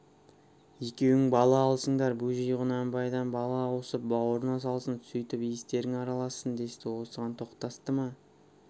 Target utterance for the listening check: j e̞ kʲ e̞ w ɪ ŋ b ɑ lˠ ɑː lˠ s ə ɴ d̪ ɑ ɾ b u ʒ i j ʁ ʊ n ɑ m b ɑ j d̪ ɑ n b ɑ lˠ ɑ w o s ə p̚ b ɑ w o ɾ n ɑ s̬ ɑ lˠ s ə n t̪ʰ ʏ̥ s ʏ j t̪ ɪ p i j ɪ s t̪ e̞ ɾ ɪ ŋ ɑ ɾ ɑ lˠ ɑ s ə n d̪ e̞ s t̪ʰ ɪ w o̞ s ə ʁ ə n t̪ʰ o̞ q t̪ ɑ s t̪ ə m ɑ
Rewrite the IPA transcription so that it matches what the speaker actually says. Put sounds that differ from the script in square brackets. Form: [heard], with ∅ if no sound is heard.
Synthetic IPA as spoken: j e̞ kʲ e̞ w ɪ ŋ b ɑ lˠ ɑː lˠ s ə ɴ d̪ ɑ ɾ b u ʒ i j ʁ ʊ n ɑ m b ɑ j d̪ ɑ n b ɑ lˠ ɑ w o s ə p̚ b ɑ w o ɾ n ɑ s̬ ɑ lˠ s ə n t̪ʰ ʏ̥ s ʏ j t̪ ɪ p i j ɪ s t̪ e̞ ɾ ɪ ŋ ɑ ɾ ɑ lˠ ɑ s ə n d̪ e̞ s [t̪] ɪ w o̞ s ə ʁ [ɑ] n t̪ʰ o̞ q t̪ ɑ s t̪ ə m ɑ